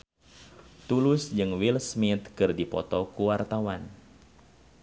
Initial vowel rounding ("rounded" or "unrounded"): rounded